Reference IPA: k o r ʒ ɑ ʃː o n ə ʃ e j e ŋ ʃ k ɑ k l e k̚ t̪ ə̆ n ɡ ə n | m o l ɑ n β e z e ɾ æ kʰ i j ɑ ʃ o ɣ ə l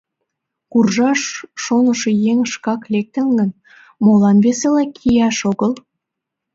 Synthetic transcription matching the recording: k u r ʒ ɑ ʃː o n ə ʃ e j e ŋ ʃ k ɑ k l e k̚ t̪ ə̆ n ɡ ə n | m o l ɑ n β e s e l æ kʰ i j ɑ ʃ o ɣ ə l